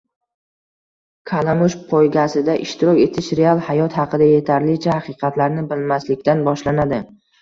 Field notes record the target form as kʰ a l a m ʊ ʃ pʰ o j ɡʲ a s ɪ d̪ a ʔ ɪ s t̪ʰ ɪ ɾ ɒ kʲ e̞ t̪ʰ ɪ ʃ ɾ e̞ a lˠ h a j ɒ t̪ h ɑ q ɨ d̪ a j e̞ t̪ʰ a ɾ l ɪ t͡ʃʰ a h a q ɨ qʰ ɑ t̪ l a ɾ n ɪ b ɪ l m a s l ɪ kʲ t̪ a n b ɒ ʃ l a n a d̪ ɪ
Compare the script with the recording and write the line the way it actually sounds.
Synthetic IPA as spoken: kʰ a l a m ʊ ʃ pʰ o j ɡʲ a s ɪ d̪ a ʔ ɪ ʃ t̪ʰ ɪ ɾ ɒ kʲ e̞ t̪ʰ ɪ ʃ ɾ e̞ a lˠ h a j ɒ t̪ h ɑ q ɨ d̪ a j e̞ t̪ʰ a ɾ l ɪ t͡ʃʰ a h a q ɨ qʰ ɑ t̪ l a ɾ n ɪ b ɪ l m a s l ɪ kʲ t̪ a n b ɒ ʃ l a n a d̪ ɪ